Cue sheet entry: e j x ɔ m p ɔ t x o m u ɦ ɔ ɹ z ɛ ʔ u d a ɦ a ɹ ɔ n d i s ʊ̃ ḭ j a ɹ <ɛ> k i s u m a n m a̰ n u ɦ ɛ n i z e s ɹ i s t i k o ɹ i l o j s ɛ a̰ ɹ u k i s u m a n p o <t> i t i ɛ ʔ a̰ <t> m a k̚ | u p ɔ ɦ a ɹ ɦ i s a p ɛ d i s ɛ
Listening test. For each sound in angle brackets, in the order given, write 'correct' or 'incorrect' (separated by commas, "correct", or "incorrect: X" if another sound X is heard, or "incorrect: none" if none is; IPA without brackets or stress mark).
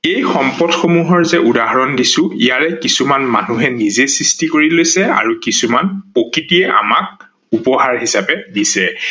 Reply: correct, incorrect: k, incorrect: none